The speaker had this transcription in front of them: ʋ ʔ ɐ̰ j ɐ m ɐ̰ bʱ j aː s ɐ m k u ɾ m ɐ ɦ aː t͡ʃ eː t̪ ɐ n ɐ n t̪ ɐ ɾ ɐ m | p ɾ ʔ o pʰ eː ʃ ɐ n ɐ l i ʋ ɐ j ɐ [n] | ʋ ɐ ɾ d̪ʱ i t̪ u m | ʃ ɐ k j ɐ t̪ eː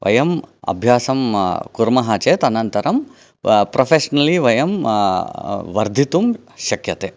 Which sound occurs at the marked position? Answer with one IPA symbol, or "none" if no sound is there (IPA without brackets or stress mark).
m